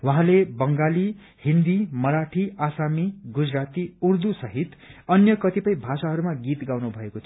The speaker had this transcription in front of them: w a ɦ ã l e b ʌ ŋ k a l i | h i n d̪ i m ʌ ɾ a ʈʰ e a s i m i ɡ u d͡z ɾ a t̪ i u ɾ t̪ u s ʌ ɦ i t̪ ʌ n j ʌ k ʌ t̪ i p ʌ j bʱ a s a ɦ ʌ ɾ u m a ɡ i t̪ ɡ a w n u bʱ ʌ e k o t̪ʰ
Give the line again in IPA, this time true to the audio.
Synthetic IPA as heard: w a ɦ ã l e b ʌ ŋ ɡ a l i | h i n d̪ i m ʌ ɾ a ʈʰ i a s a m i ɡ u d͡z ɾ a t̪ i u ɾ d̪ u s ʌ ɦ i t̪ ʌ n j ʌ k ʌ t̪ i p ʌ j bʱ a s a ɦ ʌ ɾ u m a ɡ i t̪ ɡ a w n u bʱ ʌ e k o t̪ʰ

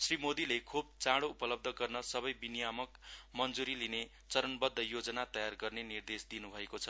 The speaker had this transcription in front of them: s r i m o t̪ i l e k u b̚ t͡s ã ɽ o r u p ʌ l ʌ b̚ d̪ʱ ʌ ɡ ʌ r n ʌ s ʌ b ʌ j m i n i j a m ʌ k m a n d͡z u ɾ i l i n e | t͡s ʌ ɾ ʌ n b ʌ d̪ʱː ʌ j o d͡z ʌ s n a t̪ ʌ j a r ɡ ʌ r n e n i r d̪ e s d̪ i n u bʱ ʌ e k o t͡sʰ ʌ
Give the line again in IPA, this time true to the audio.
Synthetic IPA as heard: s r i m o d̪ i l e kʰ u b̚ t͡s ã ɽ o u p ʌ l ʌ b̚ d̪ʱ ʌ ɡ ʌ r n ʌ s ʌ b ʌ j b i n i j a m ʌ k m ʌ n d͡z u ɾ i l i n e | t͡s ʌ ɾ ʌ n b ʌ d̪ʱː ʌ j o d͡z ʌ n a t̪ ʌ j a r ɡ ʌ r n e n i r d̪ e s d̪ i n u bʱ ʌ e k o t͡sʰ ʌ

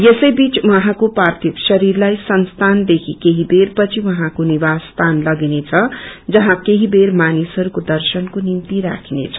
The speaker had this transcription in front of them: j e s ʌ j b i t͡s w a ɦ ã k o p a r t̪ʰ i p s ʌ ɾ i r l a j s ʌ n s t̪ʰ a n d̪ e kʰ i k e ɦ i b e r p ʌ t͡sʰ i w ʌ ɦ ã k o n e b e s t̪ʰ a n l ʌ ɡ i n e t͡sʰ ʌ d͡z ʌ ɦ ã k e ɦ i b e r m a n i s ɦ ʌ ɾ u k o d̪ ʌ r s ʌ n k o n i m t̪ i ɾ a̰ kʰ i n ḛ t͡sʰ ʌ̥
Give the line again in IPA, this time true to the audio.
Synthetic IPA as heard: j e s ʌ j b i t͡s w ʌ ɦ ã k o p a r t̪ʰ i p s ʌ ɾ i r l a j s ʌ n s t̪ʰ a n d̪ e kʰ i k e ɦ i b e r p ʌ t͡sʰ i w ʌ ɦ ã k o n i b a s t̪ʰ a n l ʌ ɡ i n e t͡sʰ ʌ d͡z ʌ ɦ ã k e ɦ i b e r m a n i s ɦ ʌ ɾ u k o d̪ ʌ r s ʌ n k o n i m t̪ i ɾ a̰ kʰ i n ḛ t͡sʰ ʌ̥

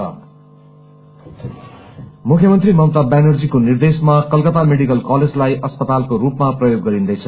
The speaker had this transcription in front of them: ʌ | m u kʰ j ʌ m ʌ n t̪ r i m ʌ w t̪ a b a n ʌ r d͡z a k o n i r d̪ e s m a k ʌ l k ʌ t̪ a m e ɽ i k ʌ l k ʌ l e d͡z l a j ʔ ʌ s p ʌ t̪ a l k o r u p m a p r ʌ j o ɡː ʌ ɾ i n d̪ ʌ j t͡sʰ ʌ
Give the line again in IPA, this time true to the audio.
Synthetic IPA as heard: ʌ | m u kʰ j ʌ m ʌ n t̪ r i m ʌ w t̪ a b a n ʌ r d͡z i k o n i r d̪ e s m a k ʌ l k ʌ t̪ a m e ɽ i k ʌ l k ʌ l e d͡z l a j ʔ ʌ s p ʌ t̪ a l k o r u p m a p r ʌ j o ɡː ʌ ɾ i n d̪ ʌ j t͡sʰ ʌ

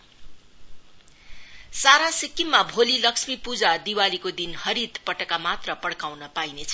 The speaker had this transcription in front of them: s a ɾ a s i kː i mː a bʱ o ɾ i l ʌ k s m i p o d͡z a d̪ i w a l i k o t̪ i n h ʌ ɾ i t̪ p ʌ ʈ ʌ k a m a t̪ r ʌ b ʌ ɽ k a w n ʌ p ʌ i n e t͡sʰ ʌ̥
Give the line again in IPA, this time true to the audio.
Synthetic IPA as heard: s a ɾ a s i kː i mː a bʱ o l i l ʌ k s m i p u d͡z a d̪ i w a l i k o d̪ i n h ʌ ɾ i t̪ p ʌ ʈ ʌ k a m a t̪ r ʌ p ʌ ɽ k a w n ʌ p a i n e t͡sʰ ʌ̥

